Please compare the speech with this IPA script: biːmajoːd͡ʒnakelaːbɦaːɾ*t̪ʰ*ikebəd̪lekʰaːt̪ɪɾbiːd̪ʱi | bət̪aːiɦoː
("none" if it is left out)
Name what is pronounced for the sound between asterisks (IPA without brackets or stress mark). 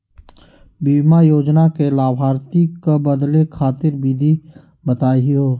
t̪